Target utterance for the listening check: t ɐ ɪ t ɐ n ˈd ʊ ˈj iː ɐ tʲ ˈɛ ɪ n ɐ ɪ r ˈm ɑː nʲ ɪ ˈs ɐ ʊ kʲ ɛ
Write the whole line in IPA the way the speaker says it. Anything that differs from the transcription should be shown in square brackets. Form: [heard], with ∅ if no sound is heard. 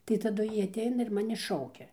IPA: t ɐ ɪ t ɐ [∅] ˈd ʊ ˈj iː ɐ tʲ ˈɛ ɪ n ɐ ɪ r ˈm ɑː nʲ ɪ [ˈʃ] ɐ ʊ kʲ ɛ